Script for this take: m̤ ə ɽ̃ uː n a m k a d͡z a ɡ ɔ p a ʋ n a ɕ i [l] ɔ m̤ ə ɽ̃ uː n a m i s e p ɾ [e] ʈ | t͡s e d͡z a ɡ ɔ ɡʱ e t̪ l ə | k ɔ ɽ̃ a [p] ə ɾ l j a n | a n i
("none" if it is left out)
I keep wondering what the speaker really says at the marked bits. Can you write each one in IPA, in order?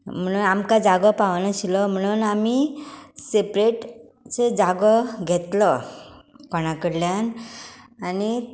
l, e, k

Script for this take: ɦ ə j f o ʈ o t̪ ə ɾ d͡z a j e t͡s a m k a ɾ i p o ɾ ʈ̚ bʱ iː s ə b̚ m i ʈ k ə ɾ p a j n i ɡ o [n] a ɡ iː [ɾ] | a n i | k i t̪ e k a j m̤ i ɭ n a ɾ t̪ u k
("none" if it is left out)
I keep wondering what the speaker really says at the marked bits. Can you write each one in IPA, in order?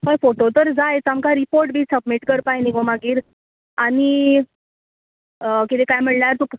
m, ɾ

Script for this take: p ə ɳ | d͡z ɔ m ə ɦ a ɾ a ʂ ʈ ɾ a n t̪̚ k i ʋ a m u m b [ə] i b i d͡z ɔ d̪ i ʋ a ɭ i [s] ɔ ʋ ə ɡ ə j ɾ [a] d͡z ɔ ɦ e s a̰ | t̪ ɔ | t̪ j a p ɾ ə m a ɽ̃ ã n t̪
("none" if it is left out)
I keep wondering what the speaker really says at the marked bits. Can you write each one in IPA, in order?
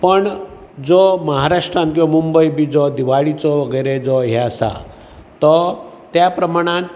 ə, t͡s, e

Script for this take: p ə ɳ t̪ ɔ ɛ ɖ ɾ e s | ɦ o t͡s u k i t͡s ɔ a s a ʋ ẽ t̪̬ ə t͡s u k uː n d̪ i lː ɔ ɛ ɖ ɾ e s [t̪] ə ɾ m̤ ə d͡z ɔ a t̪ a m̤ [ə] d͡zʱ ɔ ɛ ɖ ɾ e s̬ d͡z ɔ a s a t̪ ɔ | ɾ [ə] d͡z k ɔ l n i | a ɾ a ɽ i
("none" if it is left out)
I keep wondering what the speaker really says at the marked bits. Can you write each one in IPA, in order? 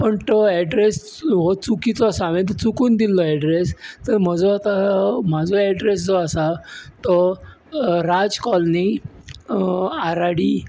t̪, a, a

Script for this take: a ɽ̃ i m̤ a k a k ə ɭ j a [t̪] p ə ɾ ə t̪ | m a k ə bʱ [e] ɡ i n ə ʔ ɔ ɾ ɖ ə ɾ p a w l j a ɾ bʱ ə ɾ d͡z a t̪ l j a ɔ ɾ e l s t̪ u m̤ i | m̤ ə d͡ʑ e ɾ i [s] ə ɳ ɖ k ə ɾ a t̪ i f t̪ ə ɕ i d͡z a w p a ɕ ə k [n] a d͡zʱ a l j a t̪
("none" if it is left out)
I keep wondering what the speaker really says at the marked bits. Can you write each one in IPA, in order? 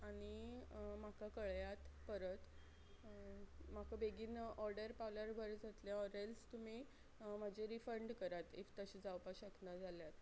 t̪, e, f, n

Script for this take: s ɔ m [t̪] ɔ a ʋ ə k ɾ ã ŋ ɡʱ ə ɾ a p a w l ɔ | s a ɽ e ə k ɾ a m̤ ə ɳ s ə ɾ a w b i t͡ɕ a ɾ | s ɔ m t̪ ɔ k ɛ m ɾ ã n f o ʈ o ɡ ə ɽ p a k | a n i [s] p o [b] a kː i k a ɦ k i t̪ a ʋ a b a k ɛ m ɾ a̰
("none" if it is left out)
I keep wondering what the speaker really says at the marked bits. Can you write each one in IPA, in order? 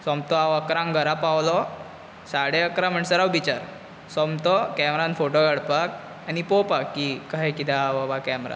t̪, none, p

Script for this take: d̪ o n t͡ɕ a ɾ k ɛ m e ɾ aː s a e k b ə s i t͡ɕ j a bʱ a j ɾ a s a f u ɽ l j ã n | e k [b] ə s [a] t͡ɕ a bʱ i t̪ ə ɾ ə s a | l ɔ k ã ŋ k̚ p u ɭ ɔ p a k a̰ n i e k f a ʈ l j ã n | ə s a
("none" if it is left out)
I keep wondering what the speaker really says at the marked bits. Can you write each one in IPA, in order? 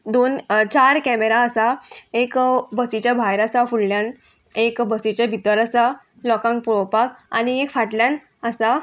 b, i

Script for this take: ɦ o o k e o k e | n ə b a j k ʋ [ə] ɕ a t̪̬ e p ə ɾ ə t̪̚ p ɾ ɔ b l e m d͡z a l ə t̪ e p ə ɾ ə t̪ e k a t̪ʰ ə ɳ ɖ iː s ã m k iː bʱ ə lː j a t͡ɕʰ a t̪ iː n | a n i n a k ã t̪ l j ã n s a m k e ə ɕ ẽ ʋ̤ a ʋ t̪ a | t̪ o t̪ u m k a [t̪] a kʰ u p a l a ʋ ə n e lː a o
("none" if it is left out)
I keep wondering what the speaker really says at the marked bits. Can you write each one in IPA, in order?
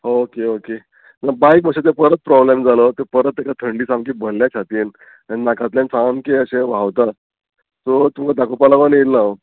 ə, d̪

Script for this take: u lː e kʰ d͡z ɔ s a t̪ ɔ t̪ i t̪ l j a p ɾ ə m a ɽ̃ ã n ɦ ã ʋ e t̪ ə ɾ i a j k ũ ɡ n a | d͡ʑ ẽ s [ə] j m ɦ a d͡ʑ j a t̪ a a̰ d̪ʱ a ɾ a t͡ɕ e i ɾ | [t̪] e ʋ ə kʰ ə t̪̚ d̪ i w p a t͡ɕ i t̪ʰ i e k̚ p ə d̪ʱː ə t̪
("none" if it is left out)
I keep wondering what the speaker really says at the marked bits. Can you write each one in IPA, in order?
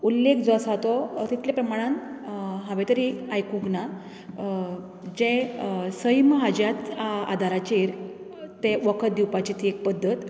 ə, t̪

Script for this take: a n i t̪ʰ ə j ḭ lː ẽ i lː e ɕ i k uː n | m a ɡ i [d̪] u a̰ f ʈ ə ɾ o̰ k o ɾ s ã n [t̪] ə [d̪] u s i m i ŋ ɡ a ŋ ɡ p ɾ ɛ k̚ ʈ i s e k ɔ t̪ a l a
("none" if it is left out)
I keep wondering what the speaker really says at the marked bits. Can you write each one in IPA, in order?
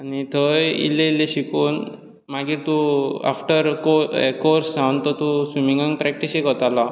t̪, t̪, t̪

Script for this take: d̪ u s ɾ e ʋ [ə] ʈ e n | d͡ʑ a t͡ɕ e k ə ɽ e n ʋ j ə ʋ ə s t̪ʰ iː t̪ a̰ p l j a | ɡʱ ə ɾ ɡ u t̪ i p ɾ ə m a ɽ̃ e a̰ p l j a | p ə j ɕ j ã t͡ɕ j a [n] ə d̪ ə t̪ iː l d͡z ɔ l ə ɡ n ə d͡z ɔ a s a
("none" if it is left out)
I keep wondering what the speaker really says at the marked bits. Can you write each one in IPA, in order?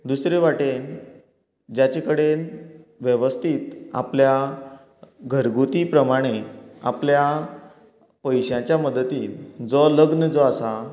a, m

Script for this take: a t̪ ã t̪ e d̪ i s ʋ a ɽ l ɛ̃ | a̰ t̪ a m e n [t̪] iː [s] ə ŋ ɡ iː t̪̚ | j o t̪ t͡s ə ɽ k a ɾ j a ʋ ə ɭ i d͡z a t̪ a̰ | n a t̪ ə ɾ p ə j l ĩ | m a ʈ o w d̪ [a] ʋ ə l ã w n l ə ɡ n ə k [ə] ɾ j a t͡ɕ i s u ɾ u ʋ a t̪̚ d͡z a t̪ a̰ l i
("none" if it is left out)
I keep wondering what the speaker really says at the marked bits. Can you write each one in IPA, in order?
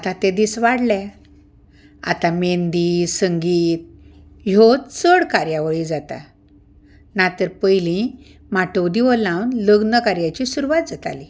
d̪, s, i, a

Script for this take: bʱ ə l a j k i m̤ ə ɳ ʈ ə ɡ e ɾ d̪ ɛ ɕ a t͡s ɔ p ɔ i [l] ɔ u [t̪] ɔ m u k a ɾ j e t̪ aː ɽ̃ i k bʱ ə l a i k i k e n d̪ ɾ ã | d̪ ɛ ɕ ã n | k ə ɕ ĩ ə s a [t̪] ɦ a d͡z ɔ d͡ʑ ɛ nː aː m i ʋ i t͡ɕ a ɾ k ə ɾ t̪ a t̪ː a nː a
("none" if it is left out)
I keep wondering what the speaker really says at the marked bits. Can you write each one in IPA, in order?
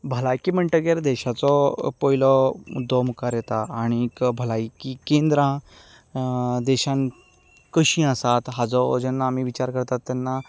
l, d̪, t̪

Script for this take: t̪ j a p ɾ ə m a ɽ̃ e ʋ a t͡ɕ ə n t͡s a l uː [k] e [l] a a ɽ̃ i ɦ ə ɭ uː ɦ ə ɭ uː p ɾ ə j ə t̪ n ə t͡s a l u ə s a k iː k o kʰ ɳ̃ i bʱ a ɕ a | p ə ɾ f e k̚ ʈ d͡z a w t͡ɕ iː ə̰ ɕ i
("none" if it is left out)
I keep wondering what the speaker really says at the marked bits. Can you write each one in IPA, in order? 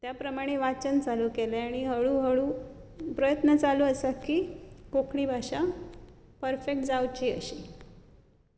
k, l

